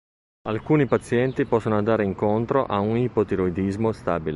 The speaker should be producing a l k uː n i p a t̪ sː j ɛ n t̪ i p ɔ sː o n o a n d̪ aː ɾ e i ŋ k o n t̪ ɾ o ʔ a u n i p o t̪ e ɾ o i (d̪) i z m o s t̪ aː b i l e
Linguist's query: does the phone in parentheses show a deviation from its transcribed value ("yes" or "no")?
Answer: no